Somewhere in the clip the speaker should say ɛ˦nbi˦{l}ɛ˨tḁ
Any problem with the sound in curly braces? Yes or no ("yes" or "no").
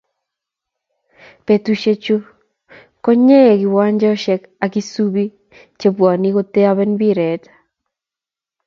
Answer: yes